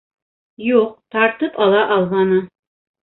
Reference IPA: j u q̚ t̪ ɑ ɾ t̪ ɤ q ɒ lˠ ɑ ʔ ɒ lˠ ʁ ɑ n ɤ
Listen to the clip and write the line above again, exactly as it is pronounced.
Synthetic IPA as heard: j u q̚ t̪ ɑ ɾ t̪ ɤ p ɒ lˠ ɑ ʔ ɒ lˠ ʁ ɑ n ɤ